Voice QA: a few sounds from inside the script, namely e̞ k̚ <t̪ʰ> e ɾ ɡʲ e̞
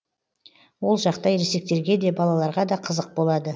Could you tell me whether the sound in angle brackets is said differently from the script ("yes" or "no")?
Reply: yes